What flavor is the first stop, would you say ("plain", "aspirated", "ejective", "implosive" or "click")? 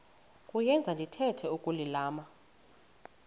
ejective